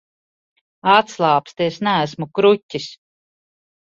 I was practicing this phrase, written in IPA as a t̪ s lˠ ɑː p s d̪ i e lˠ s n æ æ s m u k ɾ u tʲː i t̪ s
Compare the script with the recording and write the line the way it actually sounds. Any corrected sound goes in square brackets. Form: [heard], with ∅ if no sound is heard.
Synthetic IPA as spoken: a t̪ s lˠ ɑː p s [t̪] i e [∅] s n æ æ s m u k ɾ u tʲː i [∅] s

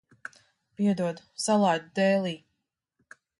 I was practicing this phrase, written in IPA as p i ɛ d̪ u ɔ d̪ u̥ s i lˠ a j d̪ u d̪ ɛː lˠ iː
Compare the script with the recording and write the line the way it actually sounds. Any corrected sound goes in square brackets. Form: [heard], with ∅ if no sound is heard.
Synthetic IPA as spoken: p i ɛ d̪ u ɔ d̪ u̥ s [a] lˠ a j d̪ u d̪ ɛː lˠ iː

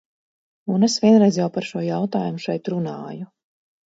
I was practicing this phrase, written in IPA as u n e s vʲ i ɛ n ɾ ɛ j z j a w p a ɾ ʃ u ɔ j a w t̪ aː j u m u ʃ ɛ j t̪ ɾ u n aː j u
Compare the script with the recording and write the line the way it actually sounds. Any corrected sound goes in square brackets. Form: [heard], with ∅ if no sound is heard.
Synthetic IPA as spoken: u n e s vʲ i ɛ n ɾ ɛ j z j a w p a ɾ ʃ u ɔ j a w t̪ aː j u m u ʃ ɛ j t̪ ɾ u n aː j u

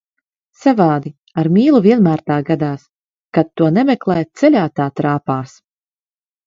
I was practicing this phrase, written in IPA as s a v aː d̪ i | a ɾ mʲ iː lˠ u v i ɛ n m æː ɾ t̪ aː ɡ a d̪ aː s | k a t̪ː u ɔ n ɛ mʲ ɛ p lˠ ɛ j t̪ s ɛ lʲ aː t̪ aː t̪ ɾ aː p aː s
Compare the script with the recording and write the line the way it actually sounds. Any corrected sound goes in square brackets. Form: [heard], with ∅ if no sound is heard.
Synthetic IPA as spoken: s a v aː d̪ i | a ɾ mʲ iː lˠ u v i ɛ n m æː ɾ t̪ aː ɡ a d̪ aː s | k a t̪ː u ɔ n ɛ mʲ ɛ [k] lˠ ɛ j t̪ s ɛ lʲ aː t̪ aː t̪ ɾ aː p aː s

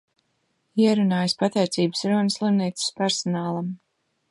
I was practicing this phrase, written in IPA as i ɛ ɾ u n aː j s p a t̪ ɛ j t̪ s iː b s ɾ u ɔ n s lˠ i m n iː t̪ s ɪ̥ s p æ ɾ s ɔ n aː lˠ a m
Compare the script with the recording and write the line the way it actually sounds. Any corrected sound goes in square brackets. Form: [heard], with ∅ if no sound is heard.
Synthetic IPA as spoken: i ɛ ɾ u n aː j s p a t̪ ɛ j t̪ s iː b s ɾ u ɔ n s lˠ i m n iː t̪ s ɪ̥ s p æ ɾ s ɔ n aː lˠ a m

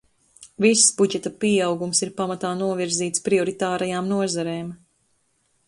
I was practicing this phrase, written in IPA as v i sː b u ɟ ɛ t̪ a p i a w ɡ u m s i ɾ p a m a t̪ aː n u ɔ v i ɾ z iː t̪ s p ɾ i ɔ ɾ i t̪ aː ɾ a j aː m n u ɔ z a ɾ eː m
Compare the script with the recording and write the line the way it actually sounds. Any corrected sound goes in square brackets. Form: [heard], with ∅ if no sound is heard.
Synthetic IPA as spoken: v i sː b u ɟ ɛ t̪ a p i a w ɡ u m s i ɾ p a m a t̪ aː n u ɔ v i ɾ z iː t̪ s p ɾ i ɔ ɾ i t̪ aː ɾ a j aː m n u ɔ z a ɾ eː m

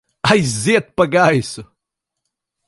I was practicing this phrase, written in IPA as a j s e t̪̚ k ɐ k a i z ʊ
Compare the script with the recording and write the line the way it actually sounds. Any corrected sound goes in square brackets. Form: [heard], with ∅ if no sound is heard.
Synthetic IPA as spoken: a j [z] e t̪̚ [p] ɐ [ɡ] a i [s] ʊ

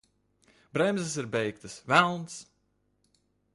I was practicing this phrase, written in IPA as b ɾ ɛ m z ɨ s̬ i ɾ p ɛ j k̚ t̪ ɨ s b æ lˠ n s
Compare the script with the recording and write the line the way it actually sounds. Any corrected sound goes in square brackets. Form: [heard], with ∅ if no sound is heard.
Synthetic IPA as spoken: b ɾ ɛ m z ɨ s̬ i ɾ [b] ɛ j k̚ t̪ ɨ s [v] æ lˠ n s

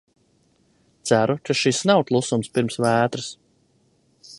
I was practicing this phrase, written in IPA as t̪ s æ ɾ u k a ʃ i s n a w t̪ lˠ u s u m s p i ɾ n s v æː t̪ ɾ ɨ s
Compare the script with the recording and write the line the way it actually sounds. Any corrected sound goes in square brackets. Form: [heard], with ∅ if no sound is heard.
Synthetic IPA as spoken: t̪ s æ ɾ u k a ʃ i s n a w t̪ lˠ u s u m s p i ɾ [m] s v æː t̪ ɾ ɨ s

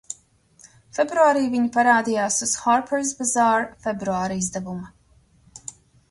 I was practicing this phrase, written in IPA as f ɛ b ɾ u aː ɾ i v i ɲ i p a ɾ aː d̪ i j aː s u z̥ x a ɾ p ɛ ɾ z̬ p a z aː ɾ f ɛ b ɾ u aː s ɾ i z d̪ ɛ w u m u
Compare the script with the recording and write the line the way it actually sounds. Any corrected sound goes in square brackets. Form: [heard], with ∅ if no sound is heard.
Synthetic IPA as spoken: f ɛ b ɾ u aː ɾ [iː] v i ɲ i p a ɾ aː d̪ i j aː s u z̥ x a ɾ p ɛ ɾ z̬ [b] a z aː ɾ f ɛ b ɾ u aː [∅] ɾ i z d̪ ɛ [v] u m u

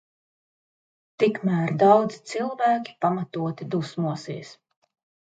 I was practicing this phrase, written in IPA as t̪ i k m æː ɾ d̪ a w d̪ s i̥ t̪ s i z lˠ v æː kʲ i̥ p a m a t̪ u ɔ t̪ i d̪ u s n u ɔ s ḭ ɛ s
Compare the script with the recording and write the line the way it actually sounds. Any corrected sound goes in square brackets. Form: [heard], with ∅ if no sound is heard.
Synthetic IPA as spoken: t̪ i k m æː ɾ d̪ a w d̪ [z] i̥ t̪ s i [∅] lˠ v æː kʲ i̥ p a m a t̪ u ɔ t̪ i d̪ u s [m] u ɔ s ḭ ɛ s

